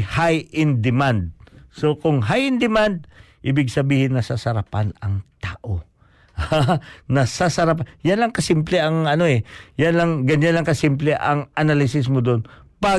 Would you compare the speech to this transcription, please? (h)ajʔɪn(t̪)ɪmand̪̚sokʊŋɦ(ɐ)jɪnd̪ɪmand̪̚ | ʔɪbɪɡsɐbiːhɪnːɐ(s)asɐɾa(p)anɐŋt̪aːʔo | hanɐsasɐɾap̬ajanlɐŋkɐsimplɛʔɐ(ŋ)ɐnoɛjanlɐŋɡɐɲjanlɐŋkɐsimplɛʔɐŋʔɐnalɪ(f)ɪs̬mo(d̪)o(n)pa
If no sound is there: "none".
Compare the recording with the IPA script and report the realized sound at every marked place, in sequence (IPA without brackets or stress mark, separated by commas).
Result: h, d̪, a, s, p, ŋ, s, d̪, n